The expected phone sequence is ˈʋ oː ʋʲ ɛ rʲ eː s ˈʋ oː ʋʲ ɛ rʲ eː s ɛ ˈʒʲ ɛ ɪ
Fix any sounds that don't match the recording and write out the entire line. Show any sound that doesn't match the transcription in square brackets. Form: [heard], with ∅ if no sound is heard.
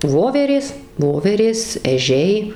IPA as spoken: ˈʋ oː ʋʲ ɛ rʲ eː s ˈʋ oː ʋʲ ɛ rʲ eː s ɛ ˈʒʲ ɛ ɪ